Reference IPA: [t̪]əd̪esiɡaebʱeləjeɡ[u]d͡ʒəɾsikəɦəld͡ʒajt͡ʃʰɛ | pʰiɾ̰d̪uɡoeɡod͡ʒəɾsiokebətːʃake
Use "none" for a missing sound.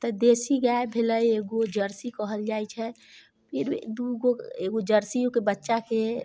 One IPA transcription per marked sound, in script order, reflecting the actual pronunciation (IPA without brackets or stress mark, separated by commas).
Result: t̪, o